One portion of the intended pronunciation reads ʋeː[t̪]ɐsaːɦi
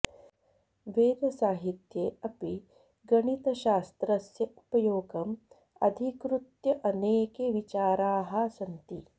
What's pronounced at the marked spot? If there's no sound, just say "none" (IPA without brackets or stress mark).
d̪